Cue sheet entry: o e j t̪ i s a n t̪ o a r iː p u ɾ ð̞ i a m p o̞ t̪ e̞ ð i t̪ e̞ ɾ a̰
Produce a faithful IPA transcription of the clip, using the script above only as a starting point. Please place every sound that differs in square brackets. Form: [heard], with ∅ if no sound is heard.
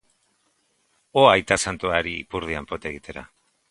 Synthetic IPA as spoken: o [a] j t̪ [a] s a n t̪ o a [ɾ] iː p u ɾ ð̞ i a m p o̞ t̪ e̞ [ɣ] i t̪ e̞ ɾ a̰